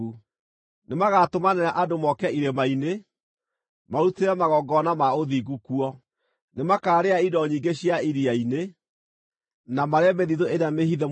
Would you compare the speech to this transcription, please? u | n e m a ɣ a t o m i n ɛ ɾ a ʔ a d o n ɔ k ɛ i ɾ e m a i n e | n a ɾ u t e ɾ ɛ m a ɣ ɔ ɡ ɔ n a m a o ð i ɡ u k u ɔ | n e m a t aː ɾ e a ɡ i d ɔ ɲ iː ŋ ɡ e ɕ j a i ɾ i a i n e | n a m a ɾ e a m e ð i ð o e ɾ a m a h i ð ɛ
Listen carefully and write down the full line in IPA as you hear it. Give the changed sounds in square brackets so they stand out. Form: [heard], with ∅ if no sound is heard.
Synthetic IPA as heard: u | n e m a ɣ a t o m [a] n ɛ ɾ a ʔ a d o [m] ɔ k ɛ i ɾ e m a i n e | [m] a ɾ u t e ɾ ɛ m a ɣ ɔ ɡ ɔ n a m a o ð i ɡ u k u ɔ | n e m a [k] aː ɾ e a [∅] i d ɔ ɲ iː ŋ ɡ e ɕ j a i ɾ i a i n e | n a m a ɾ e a m e ð i ð o e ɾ a m [e] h i ð ɛ